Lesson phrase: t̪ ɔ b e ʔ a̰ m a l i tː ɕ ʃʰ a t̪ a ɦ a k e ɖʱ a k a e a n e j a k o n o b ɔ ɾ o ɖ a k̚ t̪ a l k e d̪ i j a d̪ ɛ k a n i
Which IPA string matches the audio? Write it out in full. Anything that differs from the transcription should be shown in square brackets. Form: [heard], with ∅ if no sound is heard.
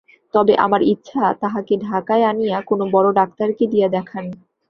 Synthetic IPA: t̪ ɔ b e ʔ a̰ m a [ɾ] i tː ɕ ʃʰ a t̪ a ɦ a k e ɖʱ a k a e a n [i] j a k o n o b ɔ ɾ o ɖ a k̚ t̪ a [ɾ] k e d̪ i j a d̪ ɛ [kʰ] a n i